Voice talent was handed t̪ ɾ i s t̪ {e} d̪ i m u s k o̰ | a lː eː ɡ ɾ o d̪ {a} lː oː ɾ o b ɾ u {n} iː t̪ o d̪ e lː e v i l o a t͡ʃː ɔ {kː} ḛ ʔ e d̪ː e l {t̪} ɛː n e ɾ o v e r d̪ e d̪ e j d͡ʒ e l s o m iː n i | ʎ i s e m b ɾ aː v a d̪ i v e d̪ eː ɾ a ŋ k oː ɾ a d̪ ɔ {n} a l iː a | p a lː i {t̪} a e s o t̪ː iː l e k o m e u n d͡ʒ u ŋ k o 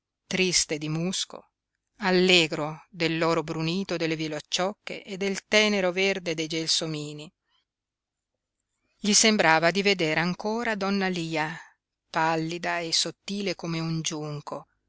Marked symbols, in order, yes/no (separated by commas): yes, no, yes, yes, yes, no, no